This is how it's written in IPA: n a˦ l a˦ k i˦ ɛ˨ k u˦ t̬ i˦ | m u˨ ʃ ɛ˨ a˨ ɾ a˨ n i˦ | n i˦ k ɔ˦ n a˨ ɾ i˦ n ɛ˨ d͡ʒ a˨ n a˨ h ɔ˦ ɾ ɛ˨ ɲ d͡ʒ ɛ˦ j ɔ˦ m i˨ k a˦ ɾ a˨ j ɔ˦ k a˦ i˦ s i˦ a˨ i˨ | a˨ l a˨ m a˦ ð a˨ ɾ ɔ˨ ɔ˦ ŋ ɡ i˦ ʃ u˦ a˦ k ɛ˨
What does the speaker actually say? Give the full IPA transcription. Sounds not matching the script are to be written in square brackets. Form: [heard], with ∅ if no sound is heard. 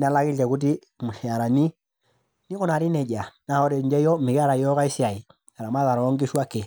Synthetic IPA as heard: n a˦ l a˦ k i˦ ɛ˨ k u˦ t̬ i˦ | m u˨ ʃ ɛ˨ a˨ ɾ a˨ n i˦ | n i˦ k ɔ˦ n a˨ ɾ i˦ n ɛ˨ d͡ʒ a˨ n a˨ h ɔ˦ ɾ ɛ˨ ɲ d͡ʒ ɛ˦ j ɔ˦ m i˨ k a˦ ɾ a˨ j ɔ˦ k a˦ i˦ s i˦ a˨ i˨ | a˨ [ɾ] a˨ m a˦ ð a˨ ɾ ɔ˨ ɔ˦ ŋ ɡ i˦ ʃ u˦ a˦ k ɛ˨